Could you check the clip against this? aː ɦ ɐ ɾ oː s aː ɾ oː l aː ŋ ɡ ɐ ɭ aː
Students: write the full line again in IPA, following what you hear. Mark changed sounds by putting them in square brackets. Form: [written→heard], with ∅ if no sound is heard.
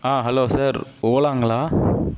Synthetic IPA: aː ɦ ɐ [ɾ→l] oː s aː ɾ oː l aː ŋ ɡ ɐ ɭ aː